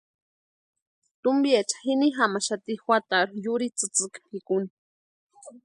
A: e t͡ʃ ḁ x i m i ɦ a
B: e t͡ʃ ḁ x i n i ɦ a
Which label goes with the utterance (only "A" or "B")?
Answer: B